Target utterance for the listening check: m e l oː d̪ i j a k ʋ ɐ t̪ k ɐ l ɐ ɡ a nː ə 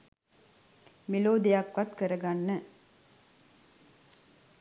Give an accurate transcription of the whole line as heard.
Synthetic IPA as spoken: m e l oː d̪ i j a k ʋ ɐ t̪ k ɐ ɾ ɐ ɡ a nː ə